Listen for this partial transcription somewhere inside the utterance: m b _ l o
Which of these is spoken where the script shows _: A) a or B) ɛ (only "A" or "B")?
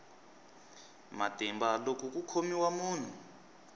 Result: A